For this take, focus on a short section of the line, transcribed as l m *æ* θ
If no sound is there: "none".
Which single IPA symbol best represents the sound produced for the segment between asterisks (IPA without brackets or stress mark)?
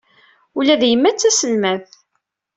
æ